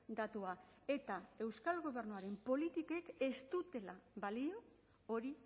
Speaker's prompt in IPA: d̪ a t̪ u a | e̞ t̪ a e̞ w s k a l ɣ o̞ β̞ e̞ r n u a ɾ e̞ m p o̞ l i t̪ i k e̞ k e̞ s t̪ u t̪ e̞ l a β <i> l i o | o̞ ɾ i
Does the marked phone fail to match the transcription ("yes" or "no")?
yes